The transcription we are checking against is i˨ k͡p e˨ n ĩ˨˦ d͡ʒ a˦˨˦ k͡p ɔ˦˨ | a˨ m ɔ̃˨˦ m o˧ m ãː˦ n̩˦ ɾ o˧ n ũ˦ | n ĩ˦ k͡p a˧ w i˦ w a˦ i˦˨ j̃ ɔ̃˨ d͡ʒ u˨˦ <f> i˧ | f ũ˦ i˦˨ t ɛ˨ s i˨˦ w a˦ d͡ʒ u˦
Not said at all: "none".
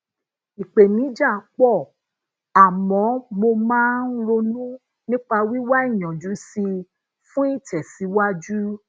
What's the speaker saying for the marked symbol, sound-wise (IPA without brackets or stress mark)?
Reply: s